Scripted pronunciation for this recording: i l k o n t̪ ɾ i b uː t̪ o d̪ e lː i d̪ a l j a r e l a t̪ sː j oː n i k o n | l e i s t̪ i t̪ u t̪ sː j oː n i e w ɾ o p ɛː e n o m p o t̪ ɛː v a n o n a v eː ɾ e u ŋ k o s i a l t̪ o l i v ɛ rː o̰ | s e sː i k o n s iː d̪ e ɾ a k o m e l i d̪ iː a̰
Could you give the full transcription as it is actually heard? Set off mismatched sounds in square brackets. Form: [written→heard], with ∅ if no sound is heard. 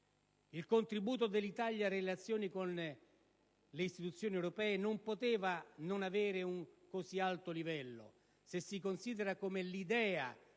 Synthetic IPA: i l k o n t̪ ɾ i b uː t̪ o d̪ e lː i [d̪→t̪] a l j a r e l a t̪ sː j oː n i k o n | l e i s t̪ i t̪ u t̪ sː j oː n i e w ɾ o p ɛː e n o m p o t̪ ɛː v a n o n a v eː ɾ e u ŋ k o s i a l t̪ o l i v ɛ [rː→lː] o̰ | s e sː i k o n s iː d̪ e ɾ a k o m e l i d̪ [iː→ɛː] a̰

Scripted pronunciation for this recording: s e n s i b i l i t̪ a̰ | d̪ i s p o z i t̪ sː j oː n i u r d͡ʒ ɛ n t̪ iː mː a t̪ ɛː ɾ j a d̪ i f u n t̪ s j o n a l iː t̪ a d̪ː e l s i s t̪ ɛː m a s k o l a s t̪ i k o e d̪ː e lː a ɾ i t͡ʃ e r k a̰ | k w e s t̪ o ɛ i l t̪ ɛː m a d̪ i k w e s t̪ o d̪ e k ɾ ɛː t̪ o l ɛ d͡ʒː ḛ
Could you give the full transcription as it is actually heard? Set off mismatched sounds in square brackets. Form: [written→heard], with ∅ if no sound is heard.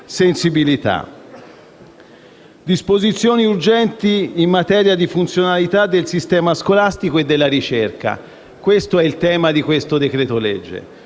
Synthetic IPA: s e n s i b i l i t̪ a̰ | d̪ i s p o z i t̪ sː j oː n i u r d͡ʒ ɛ n t̪ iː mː a t̪ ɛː ɾ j a d̪ i f u n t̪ s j o n a l [iː→i] t̪ a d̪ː e l s i s t̪ ɛː m a s k o l a s t̪ i k o e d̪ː e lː a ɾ i t͡ʃ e r k a̰ | k w e s t̪ o ɛ i l t̪ ɛː m a d̪ i k w e s t̪ o d̪ e k ɾ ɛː t̪ o l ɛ d͡ʒː ḛ

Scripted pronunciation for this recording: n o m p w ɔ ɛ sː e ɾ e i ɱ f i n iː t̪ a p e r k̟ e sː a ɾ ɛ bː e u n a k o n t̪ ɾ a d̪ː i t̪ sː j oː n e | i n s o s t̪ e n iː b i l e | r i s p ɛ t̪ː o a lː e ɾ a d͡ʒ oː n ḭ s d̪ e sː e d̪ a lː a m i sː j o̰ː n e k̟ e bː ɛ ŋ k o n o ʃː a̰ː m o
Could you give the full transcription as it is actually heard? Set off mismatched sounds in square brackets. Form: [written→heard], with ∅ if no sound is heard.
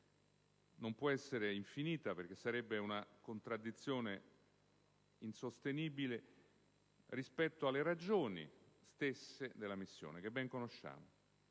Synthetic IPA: n o m p w ɔ ɛ sː e ɾ e i ɱ f i n iː t̪ a p e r k̟ e sː a ɾ ɛ bː e u n a k o n t̪ ɾ a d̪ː i t̪ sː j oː n e | i n s o s t̪ e n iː b i l e | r i s p ɛ t̪ː o a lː e ɾ a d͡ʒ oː n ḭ s [d̪→t̪] e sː e d̪ [a→e] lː a m i sː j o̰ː n e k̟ e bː ɛ ŋ k o n o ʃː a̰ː m o

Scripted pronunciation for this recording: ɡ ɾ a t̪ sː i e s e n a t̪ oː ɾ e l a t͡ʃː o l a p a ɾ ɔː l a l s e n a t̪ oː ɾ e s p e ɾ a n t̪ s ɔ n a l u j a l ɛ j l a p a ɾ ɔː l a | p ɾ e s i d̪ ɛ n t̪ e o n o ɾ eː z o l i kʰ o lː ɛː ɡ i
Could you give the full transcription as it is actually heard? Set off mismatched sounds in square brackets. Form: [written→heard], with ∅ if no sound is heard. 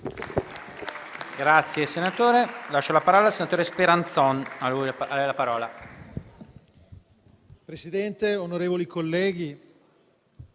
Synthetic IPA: ɡ ɾ a t̪ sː [i→j] e s e n a t̪ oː ɾ e l a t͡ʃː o l a p a ɾ ɔː l a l s e n a t̪ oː ɾ e s p e ɾ a n t̪ s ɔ n a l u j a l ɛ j l a p a ɾ ɔː l a | p ɾ e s i d̪ ɛ n t̪ e o n o ɾ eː [z→v] o l i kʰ o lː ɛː ɡ i

